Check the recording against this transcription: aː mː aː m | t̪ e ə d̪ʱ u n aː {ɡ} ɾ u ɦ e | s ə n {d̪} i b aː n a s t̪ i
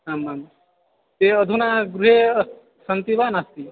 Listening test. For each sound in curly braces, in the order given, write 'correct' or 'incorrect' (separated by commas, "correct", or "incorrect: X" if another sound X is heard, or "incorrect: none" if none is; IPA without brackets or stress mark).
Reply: correct, incorrect: t̪